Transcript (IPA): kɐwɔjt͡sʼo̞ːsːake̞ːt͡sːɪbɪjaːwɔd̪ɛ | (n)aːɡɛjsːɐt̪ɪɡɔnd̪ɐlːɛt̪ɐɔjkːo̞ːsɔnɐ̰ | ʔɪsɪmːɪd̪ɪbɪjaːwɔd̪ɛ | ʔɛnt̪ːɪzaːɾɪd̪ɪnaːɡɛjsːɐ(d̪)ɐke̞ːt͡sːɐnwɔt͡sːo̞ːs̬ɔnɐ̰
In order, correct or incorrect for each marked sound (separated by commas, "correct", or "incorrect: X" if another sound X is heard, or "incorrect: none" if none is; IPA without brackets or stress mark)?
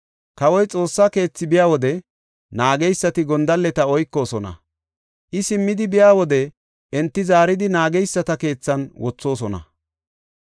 correct, incorrect: t̪